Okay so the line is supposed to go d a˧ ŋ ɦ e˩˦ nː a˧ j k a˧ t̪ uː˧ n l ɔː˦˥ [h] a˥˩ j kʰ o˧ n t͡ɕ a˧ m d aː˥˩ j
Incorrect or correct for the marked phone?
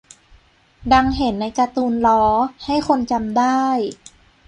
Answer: correct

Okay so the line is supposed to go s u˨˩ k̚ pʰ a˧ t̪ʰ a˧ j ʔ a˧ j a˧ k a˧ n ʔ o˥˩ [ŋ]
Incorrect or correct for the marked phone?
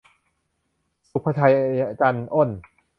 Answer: incorrect: n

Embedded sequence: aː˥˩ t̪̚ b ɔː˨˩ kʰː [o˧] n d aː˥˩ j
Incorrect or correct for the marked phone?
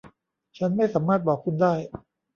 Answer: incorrect: u˧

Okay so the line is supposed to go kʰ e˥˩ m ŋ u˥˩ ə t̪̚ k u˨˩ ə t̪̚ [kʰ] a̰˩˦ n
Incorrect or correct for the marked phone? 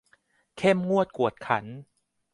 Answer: correct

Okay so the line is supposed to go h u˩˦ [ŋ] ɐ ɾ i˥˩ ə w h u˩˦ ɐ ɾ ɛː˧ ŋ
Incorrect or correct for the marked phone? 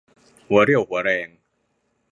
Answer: incorrect: none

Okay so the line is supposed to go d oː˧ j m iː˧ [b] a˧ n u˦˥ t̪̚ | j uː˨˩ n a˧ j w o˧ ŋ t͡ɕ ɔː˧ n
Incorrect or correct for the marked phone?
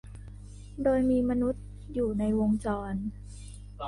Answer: incorrect: m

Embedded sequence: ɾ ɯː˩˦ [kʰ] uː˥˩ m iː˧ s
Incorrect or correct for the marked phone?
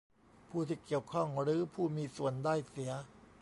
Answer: incorrect: pʰ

